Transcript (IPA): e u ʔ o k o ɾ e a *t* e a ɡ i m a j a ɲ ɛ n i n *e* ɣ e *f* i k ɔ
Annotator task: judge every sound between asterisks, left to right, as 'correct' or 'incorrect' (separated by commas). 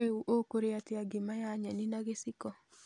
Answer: correct, incorrect, incorrect